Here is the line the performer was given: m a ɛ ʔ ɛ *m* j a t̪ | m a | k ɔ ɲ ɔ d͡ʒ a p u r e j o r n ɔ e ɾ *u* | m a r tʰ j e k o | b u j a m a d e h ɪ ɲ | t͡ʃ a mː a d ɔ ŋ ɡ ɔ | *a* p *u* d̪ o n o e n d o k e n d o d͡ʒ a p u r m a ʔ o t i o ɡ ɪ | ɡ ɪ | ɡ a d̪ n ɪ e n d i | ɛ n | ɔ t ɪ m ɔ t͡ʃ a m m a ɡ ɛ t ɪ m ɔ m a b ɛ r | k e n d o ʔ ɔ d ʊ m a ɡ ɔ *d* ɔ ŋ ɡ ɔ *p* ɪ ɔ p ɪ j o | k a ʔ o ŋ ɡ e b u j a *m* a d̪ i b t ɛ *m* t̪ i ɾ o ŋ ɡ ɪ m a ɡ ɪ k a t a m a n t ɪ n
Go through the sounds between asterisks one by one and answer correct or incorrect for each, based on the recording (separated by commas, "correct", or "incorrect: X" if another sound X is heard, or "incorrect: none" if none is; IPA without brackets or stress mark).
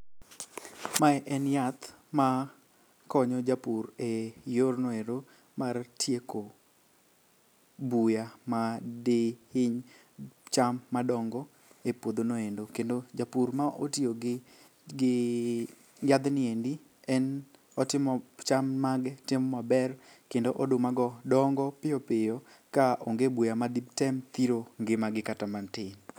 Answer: incorrect: n, incorrect: o, incorrect: e, incorrect: o, correct, correct, correct, correct